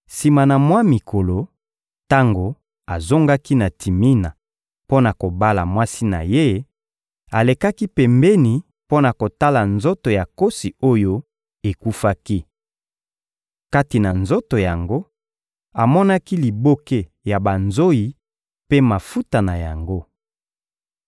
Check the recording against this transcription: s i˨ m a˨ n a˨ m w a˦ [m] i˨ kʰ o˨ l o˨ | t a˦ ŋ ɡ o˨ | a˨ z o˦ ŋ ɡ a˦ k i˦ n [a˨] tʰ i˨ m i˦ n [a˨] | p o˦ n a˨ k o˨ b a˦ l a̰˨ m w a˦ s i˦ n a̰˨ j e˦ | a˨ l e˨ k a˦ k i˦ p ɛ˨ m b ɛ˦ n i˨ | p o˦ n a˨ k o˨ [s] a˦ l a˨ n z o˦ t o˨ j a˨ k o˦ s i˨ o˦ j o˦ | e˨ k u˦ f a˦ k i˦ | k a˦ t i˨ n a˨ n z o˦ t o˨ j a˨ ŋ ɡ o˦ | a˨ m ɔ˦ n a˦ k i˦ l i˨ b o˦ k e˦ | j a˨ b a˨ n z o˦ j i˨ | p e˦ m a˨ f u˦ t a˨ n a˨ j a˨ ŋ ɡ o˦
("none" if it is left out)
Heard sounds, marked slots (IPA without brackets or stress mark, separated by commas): m, a˨, a˨, t